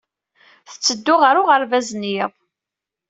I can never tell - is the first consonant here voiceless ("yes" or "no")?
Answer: yes